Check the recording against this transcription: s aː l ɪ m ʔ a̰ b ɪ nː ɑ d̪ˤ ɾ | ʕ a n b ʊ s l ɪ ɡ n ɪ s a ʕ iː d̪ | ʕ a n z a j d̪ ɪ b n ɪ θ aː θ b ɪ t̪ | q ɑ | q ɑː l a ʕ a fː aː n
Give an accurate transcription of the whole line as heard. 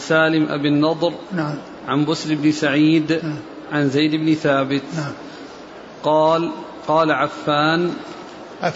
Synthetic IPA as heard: s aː l ɪ m ʔ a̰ b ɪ nː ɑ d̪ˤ ɾ | ʕ a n b ʊ s l ɪ b n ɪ s a ʕ iː d̪ | ʕ a n z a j d̪ ɪ b n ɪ θ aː b ɪ t̪ | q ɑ | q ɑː l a ʕ a fː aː n